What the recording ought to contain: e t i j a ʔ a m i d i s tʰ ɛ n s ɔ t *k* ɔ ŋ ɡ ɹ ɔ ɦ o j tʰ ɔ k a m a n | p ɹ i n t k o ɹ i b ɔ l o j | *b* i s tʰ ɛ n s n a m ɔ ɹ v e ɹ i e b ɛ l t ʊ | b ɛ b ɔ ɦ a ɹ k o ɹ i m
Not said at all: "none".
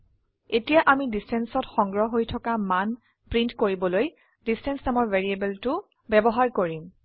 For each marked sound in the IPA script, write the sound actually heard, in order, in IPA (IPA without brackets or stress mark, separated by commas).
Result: x, d